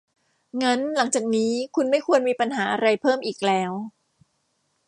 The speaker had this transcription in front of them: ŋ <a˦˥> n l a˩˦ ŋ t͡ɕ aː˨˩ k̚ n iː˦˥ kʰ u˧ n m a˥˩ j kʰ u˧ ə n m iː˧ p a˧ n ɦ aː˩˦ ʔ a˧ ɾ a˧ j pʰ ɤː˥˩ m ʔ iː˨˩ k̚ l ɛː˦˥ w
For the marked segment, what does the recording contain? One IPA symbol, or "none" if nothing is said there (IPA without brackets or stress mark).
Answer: a˦˥